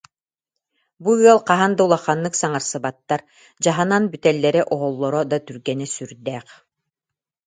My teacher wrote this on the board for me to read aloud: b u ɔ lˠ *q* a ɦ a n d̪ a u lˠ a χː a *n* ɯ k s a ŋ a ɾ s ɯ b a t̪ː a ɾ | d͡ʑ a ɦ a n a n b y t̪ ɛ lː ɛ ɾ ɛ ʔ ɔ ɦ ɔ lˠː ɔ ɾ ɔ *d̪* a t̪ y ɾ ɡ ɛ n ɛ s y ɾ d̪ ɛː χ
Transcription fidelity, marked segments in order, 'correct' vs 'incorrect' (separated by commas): correct, incorrect, correct